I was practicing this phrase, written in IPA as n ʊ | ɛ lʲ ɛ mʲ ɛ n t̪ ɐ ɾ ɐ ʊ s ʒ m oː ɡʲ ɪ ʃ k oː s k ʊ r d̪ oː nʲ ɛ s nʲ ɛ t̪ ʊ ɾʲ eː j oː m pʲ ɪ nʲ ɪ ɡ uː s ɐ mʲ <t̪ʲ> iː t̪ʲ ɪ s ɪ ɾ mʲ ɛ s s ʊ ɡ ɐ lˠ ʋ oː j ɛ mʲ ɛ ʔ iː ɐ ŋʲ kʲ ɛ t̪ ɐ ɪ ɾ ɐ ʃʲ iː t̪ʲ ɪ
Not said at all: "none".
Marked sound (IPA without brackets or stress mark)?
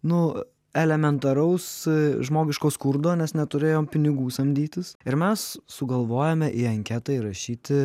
d̪ʲ